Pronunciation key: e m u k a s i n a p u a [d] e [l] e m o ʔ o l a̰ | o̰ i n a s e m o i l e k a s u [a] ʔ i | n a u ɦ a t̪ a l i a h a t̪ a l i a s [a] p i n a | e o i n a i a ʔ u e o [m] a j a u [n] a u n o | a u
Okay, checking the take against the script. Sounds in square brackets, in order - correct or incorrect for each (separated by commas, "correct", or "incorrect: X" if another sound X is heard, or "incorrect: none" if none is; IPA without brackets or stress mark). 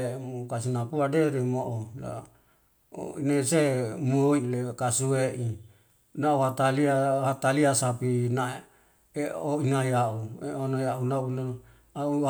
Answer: correct, incorrect: ɾ, incorrect: e, correct, incorrect: n, correct